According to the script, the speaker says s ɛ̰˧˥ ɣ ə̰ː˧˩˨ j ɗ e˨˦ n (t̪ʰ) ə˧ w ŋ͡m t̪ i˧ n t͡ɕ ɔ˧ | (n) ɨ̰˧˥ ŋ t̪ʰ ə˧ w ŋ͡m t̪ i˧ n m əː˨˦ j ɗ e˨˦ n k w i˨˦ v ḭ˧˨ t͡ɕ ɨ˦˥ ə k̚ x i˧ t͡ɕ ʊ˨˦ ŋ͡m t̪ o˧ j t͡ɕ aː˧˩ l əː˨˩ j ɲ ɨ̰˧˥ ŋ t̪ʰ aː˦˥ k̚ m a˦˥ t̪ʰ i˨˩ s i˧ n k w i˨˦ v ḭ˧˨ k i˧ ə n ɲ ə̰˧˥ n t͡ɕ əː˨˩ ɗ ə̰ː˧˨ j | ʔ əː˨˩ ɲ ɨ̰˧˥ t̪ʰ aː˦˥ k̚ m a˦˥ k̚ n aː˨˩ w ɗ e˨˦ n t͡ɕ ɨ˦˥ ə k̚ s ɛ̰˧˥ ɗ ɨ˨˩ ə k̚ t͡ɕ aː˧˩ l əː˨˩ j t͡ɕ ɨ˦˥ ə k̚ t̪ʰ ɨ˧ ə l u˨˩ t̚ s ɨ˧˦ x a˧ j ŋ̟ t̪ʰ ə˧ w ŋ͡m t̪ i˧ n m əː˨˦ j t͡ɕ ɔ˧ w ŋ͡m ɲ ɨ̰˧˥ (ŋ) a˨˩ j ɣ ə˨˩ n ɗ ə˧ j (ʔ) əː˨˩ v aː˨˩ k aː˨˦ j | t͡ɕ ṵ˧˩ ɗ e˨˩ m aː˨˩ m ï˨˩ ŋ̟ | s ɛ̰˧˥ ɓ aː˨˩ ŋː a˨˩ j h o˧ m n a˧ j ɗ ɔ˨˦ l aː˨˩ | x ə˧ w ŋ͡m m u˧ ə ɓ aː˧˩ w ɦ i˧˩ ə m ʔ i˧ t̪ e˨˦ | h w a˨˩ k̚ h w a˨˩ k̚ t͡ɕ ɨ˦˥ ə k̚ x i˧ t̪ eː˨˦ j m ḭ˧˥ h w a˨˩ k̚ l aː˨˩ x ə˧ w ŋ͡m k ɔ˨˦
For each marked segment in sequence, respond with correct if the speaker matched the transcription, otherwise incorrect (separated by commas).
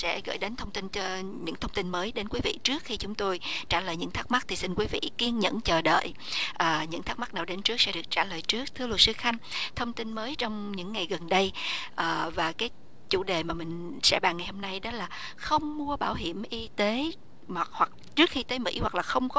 correct, incorrect, incorrect, correct